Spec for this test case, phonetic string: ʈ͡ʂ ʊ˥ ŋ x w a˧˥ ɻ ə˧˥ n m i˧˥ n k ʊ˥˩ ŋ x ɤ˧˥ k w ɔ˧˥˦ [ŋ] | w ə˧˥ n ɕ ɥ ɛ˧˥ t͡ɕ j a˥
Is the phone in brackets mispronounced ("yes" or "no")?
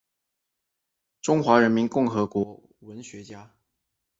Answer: yes